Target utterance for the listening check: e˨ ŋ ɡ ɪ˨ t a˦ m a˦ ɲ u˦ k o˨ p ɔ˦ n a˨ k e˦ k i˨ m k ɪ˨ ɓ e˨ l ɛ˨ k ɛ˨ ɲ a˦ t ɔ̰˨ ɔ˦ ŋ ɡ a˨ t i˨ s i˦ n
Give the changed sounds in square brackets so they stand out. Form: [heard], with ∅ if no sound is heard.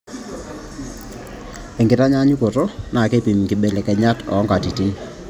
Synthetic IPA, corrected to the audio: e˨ ŋ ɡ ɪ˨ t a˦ [ɲ] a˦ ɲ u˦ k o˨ [t] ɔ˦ n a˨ k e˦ [p] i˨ m k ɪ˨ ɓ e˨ l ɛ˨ k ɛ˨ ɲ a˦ t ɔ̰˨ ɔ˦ ŋ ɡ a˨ t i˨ [t] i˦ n